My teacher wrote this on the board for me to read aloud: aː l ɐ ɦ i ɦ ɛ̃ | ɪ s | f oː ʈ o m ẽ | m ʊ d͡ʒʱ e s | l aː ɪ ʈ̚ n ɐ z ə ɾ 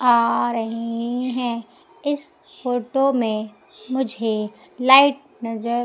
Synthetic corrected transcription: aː ɾ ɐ ɦ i ɦ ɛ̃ | ɪ s | f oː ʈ o m ẽ | m ʊ d͡ʒʱ e | l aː ɪ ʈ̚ n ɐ z ə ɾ